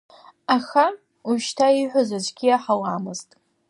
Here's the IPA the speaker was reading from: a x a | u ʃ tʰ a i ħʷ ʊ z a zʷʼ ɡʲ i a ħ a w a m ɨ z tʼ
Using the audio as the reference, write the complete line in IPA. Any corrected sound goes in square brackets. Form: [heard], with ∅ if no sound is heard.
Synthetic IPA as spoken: a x a | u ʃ tʰ a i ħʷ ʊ z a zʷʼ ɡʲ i a ħ a w a m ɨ z tʼ